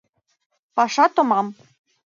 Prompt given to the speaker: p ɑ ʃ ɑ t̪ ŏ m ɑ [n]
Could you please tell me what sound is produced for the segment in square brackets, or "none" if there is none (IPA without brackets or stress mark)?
m